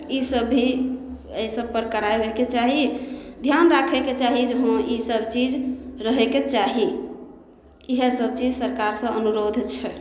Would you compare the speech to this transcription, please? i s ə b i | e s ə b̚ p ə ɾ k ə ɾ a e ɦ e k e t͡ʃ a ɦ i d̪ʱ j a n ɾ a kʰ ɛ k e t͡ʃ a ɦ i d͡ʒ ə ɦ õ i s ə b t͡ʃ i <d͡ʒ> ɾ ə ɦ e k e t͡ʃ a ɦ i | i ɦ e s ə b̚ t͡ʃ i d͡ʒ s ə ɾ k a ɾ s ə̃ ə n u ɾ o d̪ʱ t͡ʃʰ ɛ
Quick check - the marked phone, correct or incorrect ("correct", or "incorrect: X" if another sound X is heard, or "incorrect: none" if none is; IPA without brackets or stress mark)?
correct